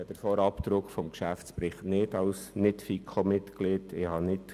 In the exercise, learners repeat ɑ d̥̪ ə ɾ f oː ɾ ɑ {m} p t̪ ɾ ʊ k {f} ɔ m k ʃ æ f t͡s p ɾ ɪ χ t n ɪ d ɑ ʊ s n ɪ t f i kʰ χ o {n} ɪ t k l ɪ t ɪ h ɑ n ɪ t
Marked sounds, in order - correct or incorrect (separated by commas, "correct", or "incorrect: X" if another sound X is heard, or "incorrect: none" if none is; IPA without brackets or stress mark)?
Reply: incorrect: none, correct, incorrect: m